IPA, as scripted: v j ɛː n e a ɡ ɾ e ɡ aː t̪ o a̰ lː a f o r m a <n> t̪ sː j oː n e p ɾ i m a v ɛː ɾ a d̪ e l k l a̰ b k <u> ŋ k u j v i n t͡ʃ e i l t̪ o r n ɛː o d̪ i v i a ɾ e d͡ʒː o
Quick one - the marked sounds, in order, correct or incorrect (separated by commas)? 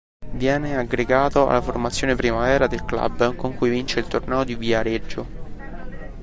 incorrect, incorrect